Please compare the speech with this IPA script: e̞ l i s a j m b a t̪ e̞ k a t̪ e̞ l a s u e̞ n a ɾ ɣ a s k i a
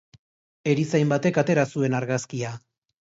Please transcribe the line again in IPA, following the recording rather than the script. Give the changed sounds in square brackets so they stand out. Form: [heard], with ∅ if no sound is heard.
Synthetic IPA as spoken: e̞ [ɾ] i s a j m b a t̪ e̞ k a t̪ e̞ [ɾ] a s u e̞ n a ɾ ɣ a s k i a